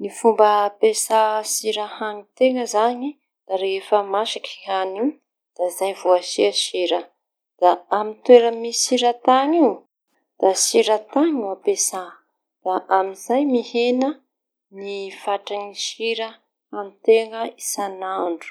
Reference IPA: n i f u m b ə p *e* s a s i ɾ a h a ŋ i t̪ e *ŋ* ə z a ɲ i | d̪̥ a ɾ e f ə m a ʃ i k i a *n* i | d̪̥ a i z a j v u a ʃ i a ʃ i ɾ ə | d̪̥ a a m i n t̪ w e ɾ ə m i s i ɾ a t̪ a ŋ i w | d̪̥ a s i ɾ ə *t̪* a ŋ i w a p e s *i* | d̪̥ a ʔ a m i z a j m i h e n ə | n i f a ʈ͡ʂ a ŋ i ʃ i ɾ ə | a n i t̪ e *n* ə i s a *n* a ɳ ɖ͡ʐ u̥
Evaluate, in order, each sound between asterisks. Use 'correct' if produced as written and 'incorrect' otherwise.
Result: correct, correct, correct, correct, incorrect, incorrect, correct

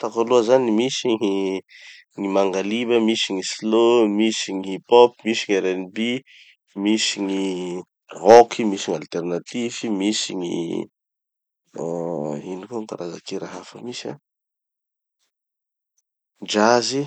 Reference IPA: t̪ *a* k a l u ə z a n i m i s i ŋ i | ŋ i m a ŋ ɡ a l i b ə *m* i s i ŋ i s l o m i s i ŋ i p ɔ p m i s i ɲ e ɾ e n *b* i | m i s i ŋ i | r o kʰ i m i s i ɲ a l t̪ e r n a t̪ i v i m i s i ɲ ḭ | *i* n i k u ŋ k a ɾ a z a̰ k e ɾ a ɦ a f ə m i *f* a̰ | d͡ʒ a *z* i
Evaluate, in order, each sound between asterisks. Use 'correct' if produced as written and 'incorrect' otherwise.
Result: correct, correct, correct, correct, incorrect, correct

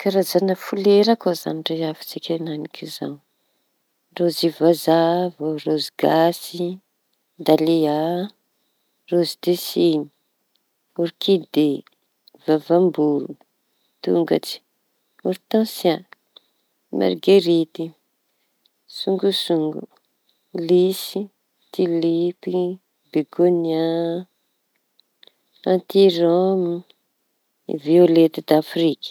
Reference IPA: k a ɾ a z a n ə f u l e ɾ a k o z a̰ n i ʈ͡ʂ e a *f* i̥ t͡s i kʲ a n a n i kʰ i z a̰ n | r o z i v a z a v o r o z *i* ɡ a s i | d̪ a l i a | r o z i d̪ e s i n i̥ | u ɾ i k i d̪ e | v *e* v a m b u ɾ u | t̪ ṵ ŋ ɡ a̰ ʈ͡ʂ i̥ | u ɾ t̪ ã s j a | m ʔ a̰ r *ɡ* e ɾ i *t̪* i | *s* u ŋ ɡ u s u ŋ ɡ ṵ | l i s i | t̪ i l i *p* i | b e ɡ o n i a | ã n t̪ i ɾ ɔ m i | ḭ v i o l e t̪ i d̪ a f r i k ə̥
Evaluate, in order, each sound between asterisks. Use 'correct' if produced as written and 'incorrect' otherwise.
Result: correct, correct, incorrect, correct, correct, correct, correct

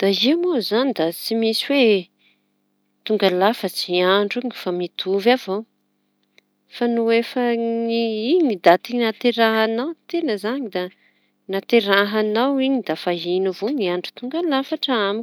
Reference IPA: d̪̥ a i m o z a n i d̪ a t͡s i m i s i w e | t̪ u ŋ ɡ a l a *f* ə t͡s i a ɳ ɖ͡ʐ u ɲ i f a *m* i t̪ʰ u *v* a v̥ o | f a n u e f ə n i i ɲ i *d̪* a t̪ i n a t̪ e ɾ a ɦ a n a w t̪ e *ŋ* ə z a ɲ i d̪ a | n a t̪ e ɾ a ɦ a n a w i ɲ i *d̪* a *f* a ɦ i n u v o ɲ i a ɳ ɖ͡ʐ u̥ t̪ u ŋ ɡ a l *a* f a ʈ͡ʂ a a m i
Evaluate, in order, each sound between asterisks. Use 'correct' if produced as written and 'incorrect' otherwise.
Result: correct, correct, correct, correct, incorrect, correct, correct, correct

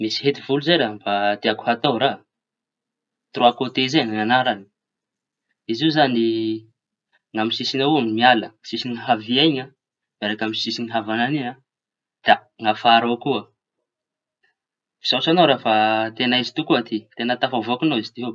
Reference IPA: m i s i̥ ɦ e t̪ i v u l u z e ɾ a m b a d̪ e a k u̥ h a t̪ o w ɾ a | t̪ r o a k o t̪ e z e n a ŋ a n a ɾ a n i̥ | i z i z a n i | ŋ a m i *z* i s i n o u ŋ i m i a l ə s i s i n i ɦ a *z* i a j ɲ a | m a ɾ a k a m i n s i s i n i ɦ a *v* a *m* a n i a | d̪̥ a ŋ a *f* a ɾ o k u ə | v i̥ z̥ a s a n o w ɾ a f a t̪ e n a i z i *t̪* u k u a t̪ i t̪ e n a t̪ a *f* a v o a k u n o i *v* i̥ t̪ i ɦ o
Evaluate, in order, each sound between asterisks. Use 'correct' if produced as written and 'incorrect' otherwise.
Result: incorrect, incorrect, correct, incorrect, correct, correct, correct, incorrect

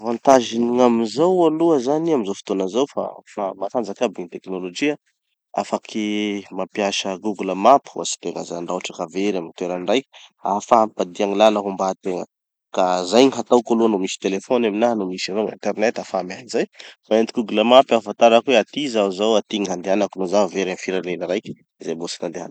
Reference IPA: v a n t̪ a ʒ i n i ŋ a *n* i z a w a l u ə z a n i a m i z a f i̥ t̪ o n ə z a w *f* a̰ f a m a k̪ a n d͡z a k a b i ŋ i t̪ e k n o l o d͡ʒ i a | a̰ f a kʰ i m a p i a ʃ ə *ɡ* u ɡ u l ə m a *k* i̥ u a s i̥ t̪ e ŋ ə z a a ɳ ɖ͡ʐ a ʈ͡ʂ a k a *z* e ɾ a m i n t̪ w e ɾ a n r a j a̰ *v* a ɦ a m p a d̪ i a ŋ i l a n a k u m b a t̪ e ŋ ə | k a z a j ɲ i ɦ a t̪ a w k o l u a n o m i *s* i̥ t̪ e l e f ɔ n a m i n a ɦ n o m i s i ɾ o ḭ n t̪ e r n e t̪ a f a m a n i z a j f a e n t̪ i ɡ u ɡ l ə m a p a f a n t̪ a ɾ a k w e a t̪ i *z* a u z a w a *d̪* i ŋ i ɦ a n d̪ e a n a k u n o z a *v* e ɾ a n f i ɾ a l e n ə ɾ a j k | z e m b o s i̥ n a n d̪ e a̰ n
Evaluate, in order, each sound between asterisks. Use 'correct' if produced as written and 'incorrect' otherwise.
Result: incorrect, correct, correct, incorrect, incorrect, incorrect, correct, correct, incorrect, correct

